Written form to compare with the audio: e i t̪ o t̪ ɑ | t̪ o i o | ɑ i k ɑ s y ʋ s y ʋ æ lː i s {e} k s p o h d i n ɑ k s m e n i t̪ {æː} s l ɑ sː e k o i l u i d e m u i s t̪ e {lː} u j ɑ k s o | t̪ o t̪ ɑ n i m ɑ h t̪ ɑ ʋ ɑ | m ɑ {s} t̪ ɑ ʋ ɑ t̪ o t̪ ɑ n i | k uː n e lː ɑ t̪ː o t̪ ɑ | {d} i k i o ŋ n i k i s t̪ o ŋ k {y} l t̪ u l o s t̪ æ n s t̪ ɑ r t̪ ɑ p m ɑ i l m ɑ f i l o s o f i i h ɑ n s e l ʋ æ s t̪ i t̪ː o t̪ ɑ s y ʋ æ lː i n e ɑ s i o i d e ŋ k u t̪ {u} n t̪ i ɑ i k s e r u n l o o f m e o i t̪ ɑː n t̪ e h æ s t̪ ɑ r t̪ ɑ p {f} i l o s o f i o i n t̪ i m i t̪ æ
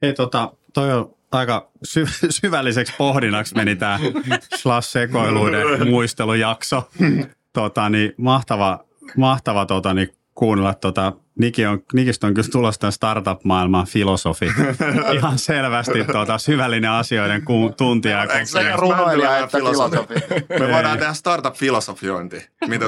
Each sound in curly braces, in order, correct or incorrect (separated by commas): correct, correct, incorrect, incorrect, incorrect, correct, correct, correct